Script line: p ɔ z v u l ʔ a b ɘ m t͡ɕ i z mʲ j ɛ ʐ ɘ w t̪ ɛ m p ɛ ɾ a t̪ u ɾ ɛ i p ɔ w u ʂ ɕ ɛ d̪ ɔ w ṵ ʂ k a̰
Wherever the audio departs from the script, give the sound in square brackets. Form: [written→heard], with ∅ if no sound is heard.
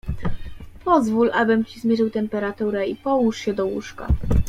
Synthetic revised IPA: p ɔ z v u l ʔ a b ɘ m t͡ɕ i z mʲ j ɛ ʐ ɘ w t̪ ɛ m p ɛ ɾ a t̪ u ɾ ɛ i p ɔ w u ʂ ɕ ɛ d̪ ɔ w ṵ ʂ k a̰